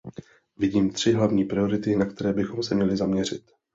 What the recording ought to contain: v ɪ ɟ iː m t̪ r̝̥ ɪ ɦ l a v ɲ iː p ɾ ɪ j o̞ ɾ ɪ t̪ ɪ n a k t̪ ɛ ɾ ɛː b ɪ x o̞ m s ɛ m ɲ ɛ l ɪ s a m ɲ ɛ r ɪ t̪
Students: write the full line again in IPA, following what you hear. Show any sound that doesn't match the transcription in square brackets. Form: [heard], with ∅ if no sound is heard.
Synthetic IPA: v ɪ ɟ iː m t̪ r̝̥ ɪ ɦ l a v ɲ iː p ɾ ɪ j o̞ ɾ ɪ t̪ ɪ n a k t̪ ɛ ɾ ɛː b ɪ x o̞ m s ɛ m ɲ ɛ l ɪ [z] a m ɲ ɛ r ɪ t̪